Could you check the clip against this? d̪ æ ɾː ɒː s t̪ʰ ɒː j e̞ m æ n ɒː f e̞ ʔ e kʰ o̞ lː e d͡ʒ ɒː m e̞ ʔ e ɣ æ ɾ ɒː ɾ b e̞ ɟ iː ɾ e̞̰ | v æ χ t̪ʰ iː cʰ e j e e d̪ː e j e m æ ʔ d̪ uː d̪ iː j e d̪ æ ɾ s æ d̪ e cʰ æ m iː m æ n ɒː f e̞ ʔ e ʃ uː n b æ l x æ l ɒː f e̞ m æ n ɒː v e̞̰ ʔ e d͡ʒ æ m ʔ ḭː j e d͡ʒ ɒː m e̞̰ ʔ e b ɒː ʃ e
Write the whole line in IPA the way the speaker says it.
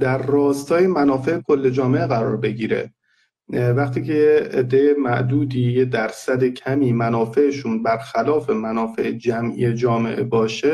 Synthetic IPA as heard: d̪ æ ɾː ɒː s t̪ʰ ɒː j e̞ m æ n ɒː f e̞ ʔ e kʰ o̞ lː e d͡ʒ ɒː m e̞ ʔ e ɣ æ ɾ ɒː ɾ b e̞ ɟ iː ɾ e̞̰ | v æ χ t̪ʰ iː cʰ e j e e d̪ː e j e m æ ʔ d̪ uː d̪ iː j e d̪ æ ɾ s æ d̪ e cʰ æ m iː m æ n ɒː f e̞ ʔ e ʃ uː n b æ ɾ x æ l ɒː f e̞ m æ n ɒː f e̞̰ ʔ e d͡ʒ æ m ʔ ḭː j e d͡ʒ ɒː m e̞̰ ʔ e b ɒː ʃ e